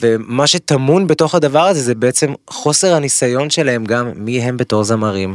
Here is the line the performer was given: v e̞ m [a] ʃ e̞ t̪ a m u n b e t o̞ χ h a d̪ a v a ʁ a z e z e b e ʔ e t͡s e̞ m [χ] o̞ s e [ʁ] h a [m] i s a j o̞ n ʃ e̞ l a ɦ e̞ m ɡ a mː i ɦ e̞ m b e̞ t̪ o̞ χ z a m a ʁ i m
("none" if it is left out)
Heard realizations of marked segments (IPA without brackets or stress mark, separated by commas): a, χ, ʁ, n